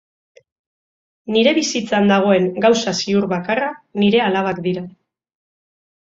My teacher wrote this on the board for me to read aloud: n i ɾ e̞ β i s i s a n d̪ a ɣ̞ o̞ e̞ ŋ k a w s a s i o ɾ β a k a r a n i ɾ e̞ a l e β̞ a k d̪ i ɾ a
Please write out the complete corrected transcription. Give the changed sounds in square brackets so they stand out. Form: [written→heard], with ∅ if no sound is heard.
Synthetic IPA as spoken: n i ɾ e̞ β i s i [s→t͡s] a n d̪ a ɣ̞ o̞ e̞ ŋ [k→ɡ] a w s a s i [o→u] ɾ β a k a r a n i ɾ e̞ a l [e→a] β̞ a k d̪ i ɾ a